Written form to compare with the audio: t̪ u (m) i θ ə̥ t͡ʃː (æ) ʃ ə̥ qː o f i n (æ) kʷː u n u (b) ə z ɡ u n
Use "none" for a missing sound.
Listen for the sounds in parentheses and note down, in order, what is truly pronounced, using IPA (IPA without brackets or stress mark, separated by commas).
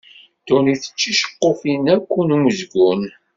n, i, æ, m